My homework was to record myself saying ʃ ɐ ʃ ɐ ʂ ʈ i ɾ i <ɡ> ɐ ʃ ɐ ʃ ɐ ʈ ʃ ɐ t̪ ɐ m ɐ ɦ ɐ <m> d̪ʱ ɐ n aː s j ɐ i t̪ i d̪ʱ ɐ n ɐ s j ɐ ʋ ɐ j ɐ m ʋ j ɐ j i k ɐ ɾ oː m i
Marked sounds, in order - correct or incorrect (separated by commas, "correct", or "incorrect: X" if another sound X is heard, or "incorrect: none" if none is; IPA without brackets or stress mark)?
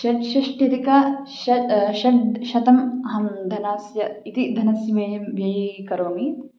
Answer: incorrect: k, correct